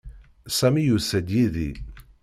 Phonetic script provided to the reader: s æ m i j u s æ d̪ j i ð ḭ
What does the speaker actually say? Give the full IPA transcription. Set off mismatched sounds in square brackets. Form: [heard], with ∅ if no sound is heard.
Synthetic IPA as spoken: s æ m i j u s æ d̪ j i ð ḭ